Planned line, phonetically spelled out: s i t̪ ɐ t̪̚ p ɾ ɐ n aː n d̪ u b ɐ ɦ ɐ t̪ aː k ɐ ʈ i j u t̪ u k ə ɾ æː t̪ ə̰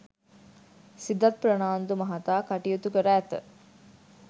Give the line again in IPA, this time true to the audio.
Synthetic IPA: s i d̪ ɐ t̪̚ p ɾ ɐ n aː n d̪ u m ɐ ɦ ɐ t̪ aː k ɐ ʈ i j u t̪ u k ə ɾ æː t̪ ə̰

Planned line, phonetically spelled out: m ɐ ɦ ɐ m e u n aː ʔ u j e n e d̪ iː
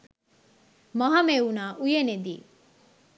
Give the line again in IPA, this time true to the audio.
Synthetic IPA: m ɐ ɦ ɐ m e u n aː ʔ u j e n e d̪ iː

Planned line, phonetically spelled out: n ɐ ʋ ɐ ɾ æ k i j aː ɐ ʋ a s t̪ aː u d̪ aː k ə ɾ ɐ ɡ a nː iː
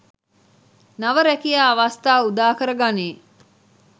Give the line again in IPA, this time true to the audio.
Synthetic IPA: n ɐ ʋ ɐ ɾ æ k i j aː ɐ ʋ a s t̪ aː u d̪ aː k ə ɾ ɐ ɡ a n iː

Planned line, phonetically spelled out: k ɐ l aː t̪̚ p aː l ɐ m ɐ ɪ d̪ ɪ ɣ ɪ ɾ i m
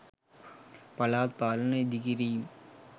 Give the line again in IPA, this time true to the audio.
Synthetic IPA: p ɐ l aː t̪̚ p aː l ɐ n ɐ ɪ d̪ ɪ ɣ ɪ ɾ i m

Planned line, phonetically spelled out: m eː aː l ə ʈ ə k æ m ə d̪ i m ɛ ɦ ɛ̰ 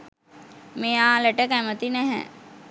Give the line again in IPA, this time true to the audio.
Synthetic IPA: m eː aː l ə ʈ ə k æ m ə t̪ i n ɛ ɦ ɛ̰

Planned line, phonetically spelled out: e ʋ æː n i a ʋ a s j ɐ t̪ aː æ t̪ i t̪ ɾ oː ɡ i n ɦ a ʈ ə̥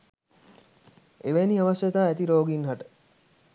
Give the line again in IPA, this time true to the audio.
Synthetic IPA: e ʋ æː n i a ʋ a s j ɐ t̪ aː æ t̪ i ɾ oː ɡ i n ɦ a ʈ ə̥

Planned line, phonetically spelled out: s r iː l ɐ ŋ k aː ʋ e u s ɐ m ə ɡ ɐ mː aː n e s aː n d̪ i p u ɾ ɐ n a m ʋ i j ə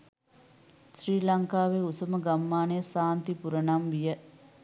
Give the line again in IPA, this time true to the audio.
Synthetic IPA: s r iː l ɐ ŋ k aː ʋ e u s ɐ m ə ɡ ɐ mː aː n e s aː n t̪ i p u ɾ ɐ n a m ʋ i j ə

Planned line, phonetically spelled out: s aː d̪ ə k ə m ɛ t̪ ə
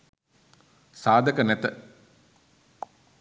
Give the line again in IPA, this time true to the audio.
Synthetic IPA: s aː d̪ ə k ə n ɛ t̪ ə

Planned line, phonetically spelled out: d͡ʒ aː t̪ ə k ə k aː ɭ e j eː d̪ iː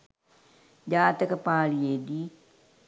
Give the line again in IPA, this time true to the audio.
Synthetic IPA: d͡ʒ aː t̪ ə k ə p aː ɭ i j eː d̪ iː

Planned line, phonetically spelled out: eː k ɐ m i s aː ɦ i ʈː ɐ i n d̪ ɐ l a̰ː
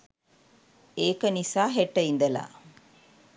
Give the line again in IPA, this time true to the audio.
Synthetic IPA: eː k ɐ n i s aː ɦ e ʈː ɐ i n d̪ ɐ l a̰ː

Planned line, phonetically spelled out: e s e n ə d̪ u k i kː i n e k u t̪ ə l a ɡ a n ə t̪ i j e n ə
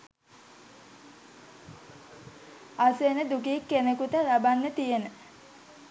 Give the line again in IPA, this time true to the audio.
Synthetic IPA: a s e n ə d̪ u k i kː e n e k u t̪ ə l a b a nː ə t̪ i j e n ə

